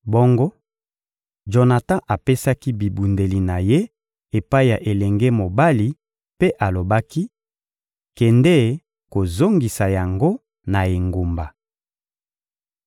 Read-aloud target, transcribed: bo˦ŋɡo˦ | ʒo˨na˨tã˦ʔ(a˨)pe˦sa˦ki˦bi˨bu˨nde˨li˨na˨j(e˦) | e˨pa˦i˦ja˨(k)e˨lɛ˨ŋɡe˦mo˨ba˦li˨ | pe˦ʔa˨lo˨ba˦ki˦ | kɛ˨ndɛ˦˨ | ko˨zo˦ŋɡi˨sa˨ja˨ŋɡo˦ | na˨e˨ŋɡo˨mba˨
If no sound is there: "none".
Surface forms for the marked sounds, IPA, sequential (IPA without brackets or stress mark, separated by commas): a˨, e˦, ʔ